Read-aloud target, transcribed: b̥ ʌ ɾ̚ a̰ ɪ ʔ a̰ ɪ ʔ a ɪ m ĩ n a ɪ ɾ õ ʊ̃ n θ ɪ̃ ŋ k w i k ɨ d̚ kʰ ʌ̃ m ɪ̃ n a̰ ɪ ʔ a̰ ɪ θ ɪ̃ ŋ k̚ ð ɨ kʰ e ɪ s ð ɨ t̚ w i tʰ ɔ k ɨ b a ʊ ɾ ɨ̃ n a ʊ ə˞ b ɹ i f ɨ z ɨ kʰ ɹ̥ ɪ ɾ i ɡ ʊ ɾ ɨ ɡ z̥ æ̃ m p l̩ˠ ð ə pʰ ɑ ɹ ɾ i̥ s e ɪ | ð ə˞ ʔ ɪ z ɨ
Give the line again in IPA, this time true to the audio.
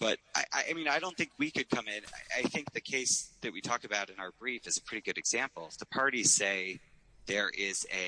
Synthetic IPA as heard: b̥ ʌ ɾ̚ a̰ ɪ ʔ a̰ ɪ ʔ a ɪ m ĩ n a ɪ ɾ õ ʊ̃ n θ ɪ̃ ŋ k w i k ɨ d̚ kʰ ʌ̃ m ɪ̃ n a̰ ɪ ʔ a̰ ɪ θ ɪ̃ ŋ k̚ ð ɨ kʰ e ɪ s ð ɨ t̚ w i tʰ ɔ k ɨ b a ʊ ɾ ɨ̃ n a ʊ ə˞ b ɹ i f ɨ z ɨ pʰ ɹ̥ ɪ ɾ i ɡ ʊ ɾ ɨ ɡ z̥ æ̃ m p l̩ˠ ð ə pʰ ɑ ɹ ɾ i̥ s e ɪ | ð ə˞ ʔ ɪ z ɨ

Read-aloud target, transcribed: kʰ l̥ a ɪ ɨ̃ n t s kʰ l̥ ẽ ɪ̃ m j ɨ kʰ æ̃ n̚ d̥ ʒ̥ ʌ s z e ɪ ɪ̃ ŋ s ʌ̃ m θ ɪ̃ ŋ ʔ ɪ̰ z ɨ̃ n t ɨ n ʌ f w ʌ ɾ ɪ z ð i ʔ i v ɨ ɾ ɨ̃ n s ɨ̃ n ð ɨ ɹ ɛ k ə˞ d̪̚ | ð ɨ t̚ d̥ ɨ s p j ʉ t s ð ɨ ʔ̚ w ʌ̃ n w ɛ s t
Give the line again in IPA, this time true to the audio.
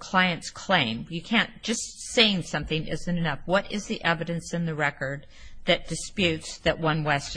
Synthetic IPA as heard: kʰ l̥ a ɪ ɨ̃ n t s kʰ l̥ ẽ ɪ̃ m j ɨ kʰ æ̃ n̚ d̥ ʒ̥ ʌ s s e ɪ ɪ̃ ŋ s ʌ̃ m θ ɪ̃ ŋ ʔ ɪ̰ z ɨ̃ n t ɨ n ʌ f w ʌ ɾ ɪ z ð i ʔ ɛ v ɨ ɾ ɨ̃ n s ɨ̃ n ð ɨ ɹ ɛ k ə˞ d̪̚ | ð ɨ t̚ d̥ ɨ s p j ʉ t s ð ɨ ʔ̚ w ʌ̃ n w ɛ s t

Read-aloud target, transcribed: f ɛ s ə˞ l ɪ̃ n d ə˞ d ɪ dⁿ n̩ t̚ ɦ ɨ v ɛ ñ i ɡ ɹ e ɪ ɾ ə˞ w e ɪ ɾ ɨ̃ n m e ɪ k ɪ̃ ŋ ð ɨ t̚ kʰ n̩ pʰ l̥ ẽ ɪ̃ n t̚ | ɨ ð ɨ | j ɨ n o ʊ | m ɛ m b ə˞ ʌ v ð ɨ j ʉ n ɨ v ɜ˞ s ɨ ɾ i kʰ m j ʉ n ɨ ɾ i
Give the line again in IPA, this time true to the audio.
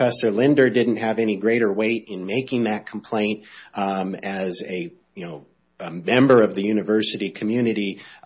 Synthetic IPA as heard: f ɛ s ə˞ l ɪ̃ n d ə˞ d ɪ dⁿ n̩ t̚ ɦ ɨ v ɛ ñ i ɡ ɹ e ɪ ɾ ə˞ w e ɪ ɾ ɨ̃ n m e ɪ k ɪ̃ ŋ ð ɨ t̚ kʰ m̩ pʰ l̥ ẽ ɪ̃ n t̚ | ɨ z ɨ | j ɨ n o ʊ | m ɛ̃ m b ə˞ ʌ v ð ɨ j ʉ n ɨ v ɜ˞ s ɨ ɾ i kʰ m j ʉ n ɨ ɾ i

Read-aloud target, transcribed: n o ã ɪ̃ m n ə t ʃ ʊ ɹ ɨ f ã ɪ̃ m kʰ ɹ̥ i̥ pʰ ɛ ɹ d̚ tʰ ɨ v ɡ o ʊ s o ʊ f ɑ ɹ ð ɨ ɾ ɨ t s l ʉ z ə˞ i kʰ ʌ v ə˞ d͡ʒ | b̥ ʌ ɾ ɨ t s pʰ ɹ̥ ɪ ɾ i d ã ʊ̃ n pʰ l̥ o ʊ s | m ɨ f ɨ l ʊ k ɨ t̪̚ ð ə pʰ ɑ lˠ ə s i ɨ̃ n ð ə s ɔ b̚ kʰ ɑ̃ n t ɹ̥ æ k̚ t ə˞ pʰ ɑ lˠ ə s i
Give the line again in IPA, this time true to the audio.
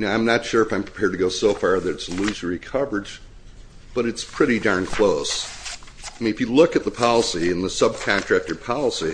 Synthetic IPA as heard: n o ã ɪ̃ m n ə t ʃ ʊ ɹ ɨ f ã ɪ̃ m pʰ ɹ̥ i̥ pʰ ɛ ɹ d̚ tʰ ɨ ɡ o ʊ s o ʊ f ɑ ɹ ð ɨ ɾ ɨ t s l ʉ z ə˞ i kʰ ʌ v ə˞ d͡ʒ | b̥ ʌ ɾ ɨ t s pʰ ɹ̥ ɪ ɾ i d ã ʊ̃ n kʰ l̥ o ʊ s | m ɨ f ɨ l ʊ k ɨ t̪̚ ð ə pʰ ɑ lˠ ə s i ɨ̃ n ð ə s ʌ b̚ kʰ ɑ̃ n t ɹ̥ æ k̚ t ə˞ pʰ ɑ lˠ ə s i

